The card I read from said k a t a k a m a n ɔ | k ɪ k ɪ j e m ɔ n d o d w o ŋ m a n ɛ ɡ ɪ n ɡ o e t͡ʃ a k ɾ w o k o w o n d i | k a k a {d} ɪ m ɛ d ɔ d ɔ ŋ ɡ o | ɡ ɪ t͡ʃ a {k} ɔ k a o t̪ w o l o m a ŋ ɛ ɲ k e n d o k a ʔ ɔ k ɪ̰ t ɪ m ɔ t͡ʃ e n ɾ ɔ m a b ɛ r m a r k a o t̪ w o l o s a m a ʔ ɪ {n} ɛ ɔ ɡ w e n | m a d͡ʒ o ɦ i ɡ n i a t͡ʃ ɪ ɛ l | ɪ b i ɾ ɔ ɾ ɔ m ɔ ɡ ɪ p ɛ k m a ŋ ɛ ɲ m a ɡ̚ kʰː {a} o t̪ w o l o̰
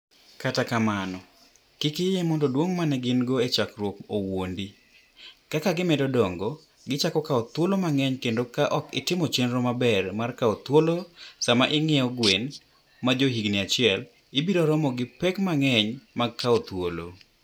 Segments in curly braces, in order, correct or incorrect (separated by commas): incorrect, correct, incorrect, correct